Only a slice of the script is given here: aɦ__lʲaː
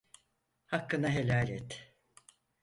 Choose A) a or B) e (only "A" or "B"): B